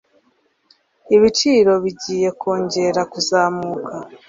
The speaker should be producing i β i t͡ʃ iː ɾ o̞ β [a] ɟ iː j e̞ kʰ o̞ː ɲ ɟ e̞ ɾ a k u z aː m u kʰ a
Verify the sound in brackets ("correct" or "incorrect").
incorrect